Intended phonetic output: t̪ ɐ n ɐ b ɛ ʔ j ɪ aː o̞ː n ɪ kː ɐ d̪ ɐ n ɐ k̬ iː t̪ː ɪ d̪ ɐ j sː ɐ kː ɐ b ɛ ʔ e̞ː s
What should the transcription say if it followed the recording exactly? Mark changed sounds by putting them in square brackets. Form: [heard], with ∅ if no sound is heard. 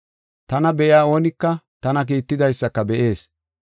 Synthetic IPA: t̪ ɐ n ɐ b ɛ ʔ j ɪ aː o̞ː n ɪ kː ɐ [t̪] ɐ n ɐ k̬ iː t̪ː ɪ d̪ ɐ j sː ɐ kː ɐ b ɛ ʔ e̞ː s